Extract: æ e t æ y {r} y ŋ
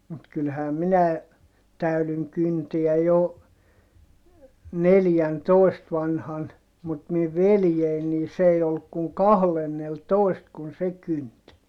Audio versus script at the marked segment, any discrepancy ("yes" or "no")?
yes